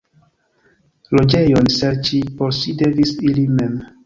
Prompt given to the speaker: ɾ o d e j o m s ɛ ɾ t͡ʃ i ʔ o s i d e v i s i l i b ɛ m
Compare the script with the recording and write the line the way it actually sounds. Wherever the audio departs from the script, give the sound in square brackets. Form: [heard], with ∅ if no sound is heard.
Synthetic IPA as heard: [l] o [d͡ʒ] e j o [n] s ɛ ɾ t͡ʃ i [p] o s i d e v i s i l i [m] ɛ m